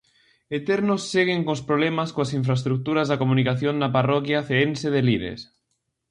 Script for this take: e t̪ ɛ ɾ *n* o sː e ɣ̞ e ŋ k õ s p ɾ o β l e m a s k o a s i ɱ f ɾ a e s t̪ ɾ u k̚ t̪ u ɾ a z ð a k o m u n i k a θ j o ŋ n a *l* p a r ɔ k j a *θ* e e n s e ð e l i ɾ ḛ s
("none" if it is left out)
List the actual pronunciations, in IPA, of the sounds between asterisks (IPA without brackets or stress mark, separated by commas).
n, none, θ